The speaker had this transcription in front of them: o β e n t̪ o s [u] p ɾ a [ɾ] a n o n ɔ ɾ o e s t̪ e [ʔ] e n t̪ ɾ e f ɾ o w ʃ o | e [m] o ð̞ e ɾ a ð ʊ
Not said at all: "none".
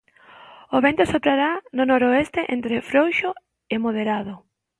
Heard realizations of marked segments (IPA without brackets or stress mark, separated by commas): o, ɾ, ʔ, m